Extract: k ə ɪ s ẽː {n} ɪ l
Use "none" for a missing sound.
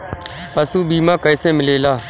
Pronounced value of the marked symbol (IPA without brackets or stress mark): m